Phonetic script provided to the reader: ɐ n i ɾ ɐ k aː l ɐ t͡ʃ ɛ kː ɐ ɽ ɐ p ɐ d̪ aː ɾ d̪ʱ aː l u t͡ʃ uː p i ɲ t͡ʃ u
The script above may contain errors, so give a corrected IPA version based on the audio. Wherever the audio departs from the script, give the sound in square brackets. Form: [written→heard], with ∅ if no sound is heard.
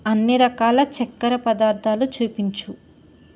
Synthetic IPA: ɐ [n→nː] i ɾ ɐ k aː l ɐ t͡ʃ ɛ kː ɐ [ɽ→ɾ] ɐ p ɐ d̪ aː ɾ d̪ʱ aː l u t͡ʃ uː p i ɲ t͡ʃ u